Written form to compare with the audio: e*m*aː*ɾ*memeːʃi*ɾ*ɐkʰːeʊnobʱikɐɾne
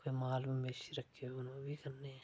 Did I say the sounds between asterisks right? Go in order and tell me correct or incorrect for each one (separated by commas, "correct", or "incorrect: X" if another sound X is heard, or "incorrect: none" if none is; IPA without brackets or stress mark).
correct, incorrect: l, correct